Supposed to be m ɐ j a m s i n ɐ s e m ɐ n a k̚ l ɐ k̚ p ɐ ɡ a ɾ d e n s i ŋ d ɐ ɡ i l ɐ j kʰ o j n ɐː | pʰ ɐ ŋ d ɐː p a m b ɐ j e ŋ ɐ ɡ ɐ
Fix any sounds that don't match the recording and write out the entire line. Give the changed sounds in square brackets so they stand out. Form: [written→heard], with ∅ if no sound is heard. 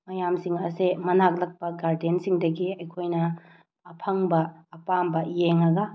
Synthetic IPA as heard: m ɐ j a m s i [n→ŋ] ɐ s e m ɐ n a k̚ l ɐ k̚ p ɐ ɡ a ɾ d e n s i ŋ d ɐ ɡ i [l→∅] ɐ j kʰ o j n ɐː | pʰ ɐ ŋ [d→b] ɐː p a m b ɐ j e ŋ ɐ ɡ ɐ